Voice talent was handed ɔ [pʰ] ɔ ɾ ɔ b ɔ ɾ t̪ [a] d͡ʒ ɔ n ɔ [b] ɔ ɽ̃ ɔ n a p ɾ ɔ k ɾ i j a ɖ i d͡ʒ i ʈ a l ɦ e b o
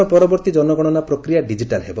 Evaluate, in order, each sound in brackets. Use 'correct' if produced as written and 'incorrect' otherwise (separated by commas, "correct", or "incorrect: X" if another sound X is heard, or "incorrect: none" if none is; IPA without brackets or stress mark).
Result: incorrect: p, incorrect: i, incorrect: ɡ